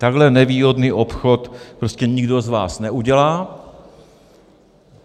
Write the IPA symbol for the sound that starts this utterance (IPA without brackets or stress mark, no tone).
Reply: t̪